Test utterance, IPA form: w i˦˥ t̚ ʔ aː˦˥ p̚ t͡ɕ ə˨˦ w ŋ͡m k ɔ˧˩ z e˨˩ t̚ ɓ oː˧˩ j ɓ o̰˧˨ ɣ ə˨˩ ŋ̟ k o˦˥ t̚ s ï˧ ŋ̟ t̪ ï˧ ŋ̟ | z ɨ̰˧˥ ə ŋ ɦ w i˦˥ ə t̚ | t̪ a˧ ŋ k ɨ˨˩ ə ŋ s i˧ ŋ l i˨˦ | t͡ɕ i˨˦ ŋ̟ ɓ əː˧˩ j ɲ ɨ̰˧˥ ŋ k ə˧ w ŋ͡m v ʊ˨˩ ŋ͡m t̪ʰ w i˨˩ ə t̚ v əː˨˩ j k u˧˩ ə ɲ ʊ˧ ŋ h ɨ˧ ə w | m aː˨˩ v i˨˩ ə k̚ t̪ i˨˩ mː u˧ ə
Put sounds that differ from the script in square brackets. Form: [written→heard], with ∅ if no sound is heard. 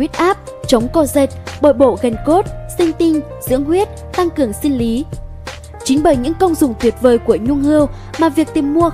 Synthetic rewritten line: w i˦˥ t̚ ʔ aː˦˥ p̚ t͡ɕ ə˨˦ w ŋ͡m k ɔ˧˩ z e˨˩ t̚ ɓ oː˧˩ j ɓ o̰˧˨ ɣ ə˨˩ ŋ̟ k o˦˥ t̚ s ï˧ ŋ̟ t̪ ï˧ ŋ̟ | z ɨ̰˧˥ ə ŋ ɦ w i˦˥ ə t̚ | t̪ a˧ ŋ k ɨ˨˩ ə ŋ s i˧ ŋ l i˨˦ | t͡ɕ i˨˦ ŋ̟ ɓ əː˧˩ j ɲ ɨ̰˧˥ ŋ k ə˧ w ŋ͡m [v→z] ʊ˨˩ ŋ͡m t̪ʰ w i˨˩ ə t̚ v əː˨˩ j k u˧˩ ə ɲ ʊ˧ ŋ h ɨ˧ ə w | m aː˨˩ v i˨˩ ə k̚ t̪ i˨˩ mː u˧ ə